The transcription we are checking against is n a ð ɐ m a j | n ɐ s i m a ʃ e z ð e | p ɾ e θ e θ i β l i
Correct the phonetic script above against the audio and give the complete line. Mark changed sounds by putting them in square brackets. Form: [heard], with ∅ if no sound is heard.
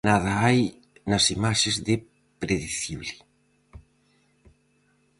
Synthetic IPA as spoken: n a ð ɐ [∅] a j | n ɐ s i m a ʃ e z ð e | p ɾ e [ð] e θ i β l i

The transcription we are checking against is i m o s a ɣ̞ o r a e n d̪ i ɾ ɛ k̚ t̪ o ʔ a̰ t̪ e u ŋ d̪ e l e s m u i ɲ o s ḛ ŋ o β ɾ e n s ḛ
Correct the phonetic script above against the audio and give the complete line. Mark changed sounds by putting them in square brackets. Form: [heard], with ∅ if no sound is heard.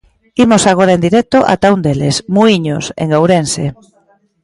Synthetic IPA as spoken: i m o s a ɣ̞ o [ɾ] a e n d̪ i ɾ ɛ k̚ t̪ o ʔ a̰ t̪ [a] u [n] d̪ e l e s m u i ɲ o s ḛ ŋ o [w] ɾ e n s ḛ

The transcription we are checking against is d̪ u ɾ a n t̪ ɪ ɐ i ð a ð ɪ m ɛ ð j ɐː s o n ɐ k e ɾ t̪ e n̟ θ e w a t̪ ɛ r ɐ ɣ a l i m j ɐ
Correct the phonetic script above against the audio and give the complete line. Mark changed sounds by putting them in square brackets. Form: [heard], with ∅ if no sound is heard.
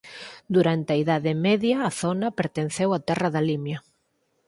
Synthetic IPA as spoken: d̪ u ɾ a n t̪ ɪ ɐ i ð a ð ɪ m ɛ ð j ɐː [θ] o n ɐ [p] e ɾ t̪ e n̟ θ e w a t̪ ɛ r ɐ [ð] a l i m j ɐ

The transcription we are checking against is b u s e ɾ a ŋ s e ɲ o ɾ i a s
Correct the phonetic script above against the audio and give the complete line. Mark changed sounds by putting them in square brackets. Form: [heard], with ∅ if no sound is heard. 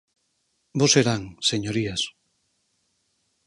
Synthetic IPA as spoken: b [o] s e ɾ a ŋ s e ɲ o ɾ i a s

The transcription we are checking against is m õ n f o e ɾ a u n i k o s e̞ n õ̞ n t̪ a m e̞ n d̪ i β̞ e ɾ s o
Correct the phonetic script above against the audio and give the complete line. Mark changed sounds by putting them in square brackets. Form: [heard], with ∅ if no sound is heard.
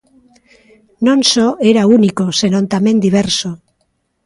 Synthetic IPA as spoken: [n] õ n [s] o e ɾ a u n i k o s e̞ n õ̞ n t̪ a m e̞ n d̪ i β̞ e ɾ s o

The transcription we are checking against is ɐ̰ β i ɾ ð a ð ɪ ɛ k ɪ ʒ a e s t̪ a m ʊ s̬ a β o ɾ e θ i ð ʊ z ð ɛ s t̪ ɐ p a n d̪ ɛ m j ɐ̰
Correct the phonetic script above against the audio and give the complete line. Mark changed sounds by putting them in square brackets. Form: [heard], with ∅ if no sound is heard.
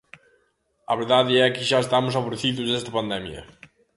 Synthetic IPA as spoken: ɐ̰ β [e] ɾ ð a ð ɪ ɛ k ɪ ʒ a e s t̪ a m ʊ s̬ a β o ɾ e θ i ð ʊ z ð ɛ s t̪ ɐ p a n d̪ ɛ m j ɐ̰

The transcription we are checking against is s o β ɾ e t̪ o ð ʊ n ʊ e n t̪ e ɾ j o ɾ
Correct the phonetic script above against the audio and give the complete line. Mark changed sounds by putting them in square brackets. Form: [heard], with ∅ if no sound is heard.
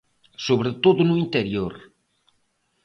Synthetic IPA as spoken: s o β ɾ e t̪ o ð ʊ n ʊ [i] n t̪ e ɾ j o ɾ

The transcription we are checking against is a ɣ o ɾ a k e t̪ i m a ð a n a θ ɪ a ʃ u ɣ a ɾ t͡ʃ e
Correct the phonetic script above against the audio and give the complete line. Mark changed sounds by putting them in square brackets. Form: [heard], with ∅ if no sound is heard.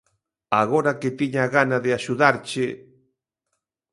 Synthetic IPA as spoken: a ɣ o ɾ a k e t̪ i [ɲ] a [ɣ] a n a [ð] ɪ a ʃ u [ð] a ɾ t͡ʃ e

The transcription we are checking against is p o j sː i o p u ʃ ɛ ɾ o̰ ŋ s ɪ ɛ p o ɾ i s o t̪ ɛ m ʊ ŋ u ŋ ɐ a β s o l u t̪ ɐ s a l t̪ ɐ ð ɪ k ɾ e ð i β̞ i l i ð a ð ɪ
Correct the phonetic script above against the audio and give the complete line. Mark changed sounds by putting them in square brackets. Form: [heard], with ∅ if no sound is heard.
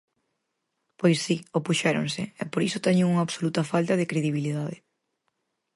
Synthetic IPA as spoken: p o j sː i o p u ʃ ɛ ɾ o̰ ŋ s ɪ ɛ p o ɾ i s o t̪ ɛ [ɲ] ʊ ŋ u ŋ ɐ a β s o l u t̪ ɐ [f] a l t̪ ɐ ð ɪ k ɾ e ð i β̞ i l i ð a ð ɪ

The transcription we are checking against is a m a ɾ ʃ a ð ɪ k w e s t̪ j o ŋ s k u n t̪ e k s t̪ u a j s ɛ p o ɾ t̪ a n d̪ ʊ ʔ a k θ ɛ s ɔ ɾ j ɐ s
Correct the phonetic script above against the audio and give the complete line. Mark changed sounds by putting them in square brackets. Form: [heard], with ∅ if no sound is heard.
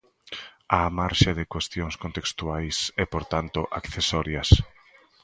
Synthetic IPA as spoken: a m a ɾ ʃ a ð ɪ k w e s t̪ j o ŋ s k [o] n t̪ e k s t̪ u a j s ɛ p o ɾ t̪ a n [t̪] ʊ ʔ a k θ [e] s ɔ ɾ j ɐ s

